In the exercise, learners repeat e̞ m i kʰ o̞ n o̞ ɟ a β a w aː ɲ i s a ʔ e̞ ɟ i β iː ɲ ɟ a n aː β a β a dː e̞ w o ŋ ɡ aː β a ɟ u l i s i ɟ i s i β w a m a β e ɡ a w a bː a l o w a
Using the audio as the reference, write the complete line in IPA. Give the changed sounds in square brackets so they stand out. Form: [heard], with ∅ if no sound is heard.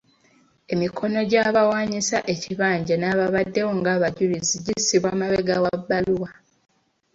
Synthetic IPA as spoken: e̞ m i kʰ o̞ n o̞ ɟ a β a w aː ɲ i s a ʔ e̞ [c] i β [aː] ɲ ɟ a n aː β a β a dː e̞ w o ŋ ɡ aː β a ɟ u l i [z] i ɟ i s i β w a m a β e ɡ a w a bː a l [u] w a